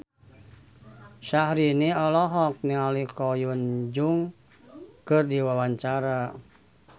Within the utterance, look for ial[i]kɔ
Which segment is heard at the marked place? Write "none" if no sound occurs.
i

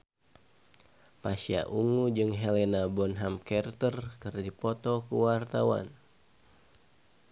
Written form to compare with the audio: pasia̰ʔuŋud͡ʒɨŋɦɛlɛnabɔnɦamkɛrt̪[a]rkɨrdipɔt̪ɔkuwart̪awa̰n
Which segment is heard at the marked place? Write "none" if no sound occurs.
ə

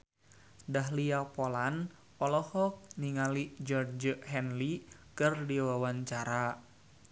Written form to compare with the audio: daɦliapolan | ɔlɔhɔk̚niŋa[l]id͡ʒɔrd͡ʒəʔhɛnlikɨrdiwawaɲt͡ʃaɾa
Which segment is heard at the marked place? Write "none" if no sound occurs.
l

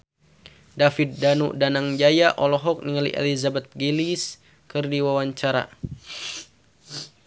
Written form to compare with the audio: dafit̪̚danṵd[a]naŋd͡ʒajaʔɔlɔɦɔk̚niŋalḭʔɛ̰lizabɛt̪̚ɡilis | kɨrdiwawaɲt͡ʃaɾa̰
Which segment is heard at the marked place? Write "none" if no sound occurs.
a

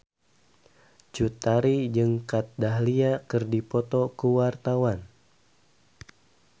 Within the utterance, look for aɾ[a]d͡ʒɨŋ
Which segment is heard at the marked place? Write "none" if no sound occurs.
i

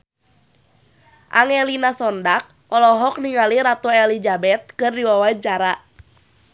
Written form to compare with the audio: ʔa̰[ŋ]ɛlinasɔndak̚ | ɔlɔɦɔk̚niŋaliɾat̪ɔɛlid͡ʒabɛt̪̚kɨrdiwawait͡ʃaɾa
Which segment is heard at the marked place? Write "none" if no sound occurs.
ŋ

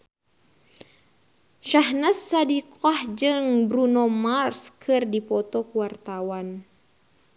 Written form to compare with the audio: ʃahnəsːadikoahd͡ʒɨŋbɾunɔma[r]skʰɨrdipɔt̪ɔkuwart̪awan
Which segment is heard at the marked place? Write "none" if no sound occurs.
r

